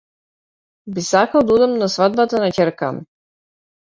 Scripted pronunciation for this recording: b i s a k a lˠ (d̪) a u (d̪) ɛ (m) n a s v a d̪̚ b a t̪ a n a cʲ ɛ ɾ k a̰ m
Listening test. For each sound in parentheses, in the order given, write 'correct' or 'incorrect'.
correct, correct, correct

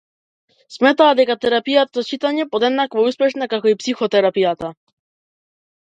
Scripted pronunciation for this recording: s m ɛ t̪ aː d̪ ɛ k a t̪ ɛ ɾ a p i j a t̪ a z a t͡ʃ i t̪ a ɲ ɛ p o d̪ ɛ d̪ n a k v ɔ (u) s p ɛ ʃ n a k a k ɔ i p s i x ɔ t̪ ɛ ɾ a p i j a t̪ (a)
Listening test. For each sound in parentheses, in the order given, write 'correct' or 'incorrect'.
correct, correct

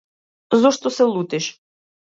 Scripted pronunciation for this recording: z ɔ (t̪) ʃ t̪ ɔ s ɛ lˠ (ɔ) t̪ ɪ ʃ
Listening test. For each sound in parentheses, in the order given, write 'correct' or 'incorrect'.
incorrect, incorrect

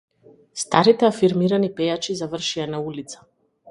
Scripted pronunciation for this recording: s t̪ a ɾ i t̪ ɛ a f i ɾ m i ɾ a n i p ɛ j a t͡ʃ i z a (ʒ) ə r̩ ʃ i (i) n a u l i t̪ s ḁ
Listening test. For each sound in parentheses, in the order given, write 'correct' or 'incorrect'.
incorrect, incorrect

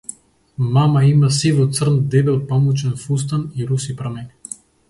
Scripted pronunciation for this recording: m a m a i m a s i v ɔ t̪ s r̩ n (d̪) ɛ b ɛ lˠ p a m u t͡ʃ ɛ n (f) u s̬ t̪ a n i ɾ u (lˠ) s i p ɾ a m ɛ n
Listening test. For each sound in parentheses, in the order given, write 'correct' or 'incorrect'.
correct, correct, incorrect

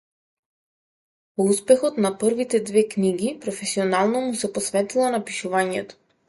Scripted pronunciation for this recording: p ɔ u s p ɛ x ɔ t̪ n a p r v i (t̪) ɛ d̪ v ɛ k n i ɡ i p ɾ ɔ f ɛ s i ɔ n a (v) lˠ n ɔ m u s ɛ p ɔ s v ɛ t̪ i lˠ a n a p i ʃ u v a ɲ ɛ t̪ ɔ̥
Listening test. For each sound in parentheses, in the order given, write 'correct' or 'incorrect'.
correct, incorrect

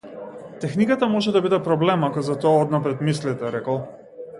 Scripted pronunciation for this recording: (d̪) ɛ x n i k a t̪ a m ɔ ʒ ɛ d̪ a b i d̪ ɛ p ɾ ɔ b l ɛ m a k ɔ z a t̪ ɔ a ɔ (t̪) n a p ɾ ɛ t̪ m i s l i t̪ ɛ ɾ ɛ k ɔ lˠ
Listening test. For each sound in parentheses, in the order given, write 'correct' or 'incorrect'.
incorrect, incorrect

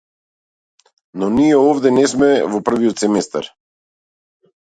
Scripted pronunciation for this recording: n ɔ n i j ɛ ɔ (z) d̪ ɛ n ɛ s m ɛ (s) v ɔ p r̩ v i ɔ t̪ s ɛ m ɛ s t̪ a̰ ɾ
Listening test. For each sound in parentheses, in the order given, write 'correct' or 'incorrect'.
incorrect, incorrect

